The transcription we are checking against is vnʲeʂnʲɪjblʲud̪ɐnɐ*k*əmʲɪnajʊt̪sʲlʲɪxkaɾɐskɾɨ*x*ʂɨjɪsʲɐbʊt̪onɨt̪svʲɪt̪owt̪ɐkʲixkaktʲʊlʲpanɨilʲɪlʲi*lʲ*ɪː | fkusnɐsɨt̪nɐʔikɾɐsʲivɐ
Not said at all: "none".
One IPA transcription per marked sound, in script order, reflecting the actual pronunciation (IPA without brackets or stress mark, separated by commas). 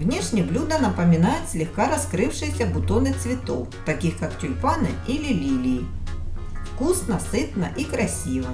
p, f, lʲ